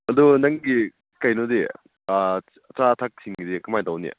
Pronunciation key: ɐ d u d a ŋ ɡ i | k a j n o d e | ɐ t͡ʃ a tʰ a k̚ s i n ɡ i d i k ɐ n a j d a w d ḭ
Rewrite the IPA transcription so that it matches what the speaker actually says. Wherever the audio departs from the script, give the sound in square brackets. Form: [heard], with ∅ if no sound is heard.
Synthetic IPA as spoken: ɐ d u [n] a ŋ ɡ i | k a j n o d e | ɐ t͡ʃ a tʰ a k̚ s i [ŋ] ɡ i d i k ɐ [m] a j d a w [n] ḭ